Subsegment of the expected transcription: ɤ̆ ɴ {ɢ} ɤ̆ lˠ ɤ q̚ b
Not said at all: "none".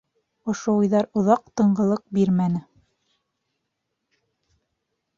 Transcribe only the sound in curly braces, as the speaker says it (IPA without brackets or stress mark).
ɢ